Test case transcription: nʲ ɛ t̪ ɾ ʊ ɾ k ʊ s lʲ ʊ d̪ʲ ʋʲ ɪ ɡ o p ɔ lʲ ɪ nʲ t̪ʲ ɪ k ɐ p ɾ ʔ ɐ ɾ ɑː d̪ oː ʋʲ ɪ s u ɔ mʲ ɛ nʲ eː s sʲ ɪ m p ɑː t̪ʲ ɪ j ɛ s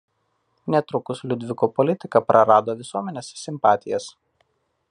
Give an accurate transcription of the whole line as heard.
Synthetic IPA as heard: nʲ ɛ t̪ ɾ ʊ k ʊ s lʲ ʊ d̪ʲ ʋʲ ɪ k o p ɔ lʲ ɪ t̪ʲ ɪ k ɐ p ɾ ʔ ɐ ɾ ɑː d̪ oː ʋʲ ɪ s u ɔ mʲ ɛ nʲ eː s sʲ ɪ m p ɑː t̪ʲ ɪ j ɛ s